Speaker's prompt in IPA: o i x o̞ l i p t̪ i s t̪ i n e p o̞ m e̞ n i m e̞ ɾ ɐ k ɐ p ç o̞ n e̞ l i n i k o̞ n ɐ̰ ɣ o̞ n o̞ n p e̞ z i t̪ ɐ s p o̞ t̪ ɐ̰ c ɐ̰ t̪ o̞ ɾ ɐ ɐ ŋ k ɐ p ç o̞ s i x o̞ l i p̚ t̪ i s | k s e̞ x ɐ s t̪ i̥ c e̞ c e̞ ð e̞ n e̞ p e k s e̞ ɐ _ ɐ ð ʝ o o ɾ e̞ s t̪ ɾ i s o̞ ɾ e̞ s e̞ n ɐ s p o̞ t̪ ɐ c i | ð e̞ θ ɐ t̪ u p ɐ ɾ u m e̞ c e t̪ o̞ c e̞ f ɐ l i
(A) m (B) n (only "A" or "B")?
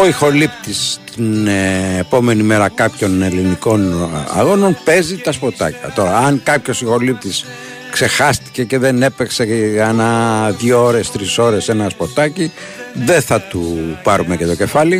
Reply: B